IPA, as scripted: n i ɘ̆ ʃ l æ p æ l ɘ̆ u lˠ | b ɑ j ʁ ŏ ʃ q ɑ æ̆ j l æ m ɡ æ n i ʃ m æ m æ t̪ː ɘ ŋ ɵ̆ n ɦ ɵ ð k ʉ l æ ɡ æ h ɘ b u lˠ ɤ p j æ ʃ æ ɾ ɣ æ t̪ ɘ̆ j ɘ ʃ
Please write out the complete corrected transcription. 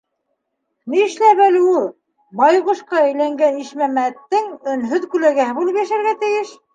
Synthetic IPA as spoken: n i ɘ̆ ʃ l æ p æ l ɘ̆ u lˠ | b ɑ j ʁ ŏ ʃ q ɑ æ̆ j l æ ŋ ɡ æ n i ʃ m æ m æ t̪ː ɘ ŋ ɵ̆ n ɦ ɵ ð k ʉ l æ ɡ æ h ɘ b u lˠ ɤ p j æ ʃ æ ɾ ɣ æ t̪ ɘ̆ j ɘ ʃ